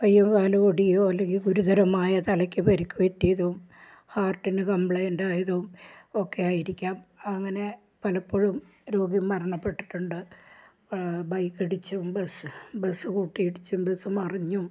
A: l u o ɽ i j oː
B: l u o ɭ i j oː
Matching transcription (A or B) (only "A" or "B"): A